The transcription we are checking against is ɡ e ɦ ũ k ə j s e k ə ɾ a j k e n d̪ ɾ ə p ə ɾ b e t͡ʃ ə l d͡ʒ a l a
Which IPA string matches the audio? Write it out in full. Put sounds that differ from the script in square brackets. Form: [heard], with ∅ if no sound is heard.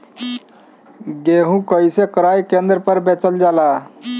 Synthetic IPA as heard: ɡ e ɦ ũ k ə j s e k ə ɾ a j k e n d̪ ɾ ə p ə ɾ b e t͡ʃ ə l d͡ʒ a l a